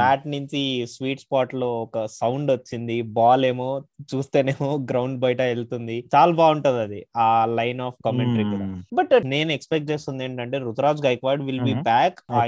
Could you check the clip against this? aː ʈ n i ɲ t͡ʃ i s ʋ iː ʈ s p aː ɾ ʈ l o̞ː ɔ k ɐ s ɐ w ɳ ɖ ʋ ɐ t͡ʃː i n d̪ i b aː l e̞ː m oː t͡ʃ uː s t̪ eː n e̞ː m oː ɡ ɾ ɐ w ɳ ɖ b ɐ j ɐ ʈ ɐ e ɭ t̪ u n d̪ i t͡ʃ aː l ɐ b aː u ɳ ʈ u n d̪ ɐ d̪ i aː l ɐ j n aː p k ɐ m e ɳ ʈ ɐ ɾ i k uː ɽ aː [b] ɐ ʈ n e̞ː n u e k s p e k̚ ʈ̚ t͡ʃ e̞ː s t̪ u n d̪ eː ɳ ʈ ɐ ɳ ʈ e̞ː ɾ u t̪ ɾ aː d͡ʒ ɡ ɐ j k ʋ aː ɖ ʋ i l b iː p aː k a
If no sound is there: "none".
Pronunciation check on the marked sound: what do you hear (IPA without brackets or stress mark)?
b